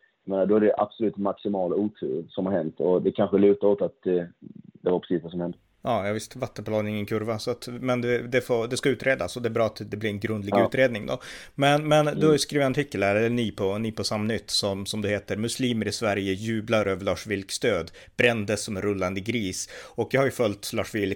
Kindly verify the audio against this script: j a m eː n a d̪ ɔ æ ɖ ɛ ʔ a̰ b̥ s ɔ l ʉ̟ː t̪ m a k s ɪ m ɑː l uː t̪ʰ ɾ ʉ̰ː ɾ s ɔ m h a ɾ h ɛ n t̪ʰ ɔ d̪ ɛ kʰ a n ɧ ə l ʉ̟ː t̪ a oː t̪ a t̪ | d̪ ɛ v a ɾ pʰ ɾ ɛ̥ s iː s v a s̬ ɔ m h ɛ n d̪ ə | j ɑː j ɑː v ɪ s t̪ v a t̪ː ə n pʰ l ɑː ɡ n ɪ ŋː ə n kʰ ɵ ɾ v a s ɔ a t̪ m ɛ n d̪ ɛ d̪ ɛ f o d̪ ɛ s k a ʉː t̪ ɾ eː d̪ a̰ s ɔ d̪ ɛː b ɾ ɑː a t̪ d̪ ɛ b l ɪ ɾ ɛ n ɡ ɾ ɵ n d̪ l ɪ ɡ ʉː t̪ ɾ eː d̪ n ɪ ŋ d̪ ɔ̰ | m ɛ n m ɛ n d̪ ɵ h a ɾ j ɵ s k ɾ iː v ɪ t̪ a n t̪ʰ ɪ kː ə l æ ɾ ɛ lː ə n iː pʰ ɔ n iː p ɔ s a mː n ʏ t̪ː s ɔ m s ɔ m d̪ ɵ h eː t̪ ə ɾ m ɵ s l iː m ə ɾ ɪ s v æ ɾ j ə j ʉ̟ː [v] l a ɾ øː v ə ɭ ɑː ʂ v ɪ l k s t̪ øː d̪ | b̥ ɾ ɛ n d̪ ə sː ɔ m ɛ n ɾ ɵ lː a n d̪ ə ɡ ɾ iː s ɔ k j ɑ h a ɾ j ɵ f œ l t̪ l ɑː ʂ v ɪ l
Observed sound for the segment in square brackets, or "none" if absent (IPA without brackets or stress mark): b